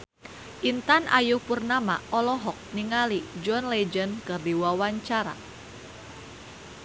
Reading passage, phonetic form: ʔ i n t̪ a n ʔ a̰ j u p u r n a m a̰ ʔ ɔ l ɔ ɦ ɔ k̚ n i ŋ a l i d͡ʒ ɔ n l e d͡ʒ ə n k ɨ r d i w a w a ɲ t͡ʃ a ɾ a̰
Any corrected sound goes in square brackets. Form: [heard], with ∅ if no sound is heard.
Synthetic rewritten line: ʔ i n t̪ a n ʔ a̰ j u p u r n a m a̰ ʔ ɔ l ɔ ɦ ɔ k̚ n i ŋ a l i d͡ʒ ɔ n l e d͡ʒ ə n k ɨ r d i w a w a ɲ t͡ʃ a ɾ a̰